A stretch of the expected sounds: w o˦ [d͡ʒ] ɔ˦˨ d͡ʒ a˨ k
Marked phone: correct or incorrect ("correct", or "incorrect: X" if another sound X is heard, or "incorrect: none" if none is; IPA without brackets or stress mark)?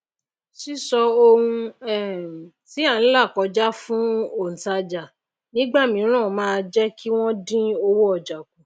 incorrect: none